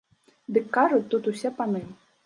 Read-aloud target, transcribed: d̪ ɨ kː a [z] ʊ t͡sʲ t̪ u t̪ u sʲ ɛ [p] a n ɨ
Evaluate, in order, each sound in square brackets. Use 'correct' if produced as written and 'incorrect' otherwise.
incorrect: ʐ, correct

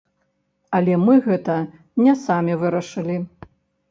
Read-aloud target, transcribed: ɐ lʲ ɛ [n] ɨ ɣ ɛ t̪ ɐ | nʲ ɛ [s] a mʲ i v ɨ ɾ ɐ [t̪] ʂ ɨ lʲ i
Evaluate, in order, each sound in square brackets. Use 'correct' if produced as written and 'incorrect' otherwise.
incorrect: m, correct, incorrect: none

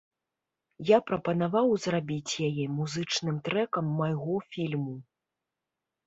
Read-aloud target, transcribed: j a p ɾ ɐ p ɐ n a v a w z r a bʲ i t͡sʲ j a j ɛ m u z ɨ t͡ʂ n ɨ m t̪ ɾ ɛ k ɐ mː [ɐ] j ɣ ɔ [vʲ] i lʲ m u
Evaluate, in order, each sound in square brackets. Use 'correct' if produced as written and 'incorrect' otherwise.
incorrect: a, incorrect: fʲ

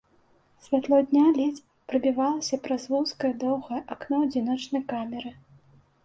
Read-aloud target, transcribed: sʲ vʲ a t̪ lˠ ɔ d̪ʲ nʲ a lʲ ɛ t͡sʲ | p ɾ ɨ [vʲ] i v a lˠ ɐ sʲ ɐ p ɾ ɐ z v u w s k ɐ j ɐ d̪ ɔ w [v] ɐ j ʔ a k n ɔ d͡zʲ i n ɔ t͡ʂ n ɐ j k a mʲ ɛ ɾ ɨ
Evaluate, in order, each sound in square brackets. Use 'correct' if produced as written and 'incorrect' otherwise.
incorrect: bʲ, incorrect: ɣ

